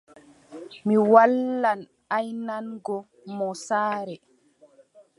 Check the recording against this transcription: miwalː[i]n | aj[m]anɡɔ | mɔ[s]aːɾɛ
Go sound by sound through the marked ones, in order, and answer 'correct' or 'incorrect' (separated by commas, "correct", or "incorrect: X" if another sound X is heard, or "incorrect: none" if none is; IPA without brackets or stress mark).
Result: incorrect: a, incorrect: n, correct